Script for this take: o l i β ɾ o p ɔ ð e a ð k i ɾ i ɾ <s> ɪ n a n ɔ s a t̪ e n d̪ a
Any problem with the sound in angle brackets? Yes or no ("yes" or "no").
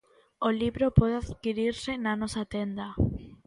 no